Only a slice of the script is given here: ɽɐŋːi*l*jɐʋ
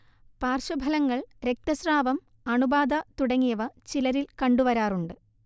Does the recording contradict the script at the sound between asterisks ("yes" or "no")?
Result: yes